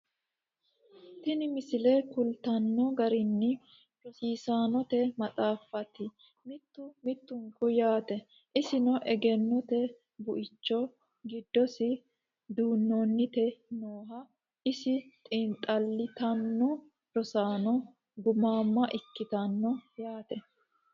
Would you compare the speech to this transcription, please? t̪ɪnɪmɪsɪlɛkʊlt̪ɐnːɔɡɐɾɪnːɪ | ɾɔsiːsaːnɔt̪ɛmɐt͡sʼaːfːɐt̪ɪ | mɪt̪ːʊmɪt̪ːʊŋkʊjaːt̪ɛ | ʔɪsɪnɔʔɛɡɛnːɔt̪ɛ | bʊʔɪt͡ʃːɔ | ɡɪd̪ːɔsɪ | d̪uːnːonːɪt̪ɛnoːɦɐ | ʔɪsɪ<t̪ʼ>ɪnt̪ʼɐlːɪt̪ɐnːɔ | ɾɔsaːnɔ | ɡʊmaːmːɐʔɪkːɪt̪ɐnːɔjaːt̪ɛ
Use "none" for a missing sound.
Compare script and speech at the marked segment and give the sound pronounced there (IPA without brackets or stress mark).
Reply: t̪ʼ